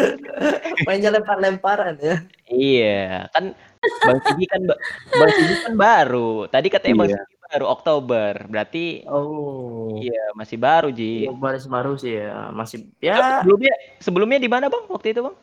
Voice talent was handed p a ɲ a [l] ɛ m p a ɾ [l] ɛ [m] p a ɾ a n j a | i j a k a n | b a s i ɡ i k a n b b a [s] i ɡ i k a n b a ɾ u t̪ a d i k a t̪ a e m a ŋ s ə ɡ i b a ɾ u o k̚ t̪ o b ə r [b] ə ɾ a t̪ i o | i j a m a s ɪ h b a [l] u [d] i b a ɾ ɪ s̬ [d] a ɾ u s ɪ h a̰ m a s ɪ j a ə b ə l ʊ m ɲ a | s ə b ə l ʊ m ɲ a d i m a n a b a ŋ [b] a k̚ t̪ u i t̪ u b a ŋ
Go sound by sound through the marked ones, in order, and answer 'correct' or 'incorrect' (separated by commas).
correct, correct, correct, correct, correct, incorrect, incorrect, incorrect, incorrect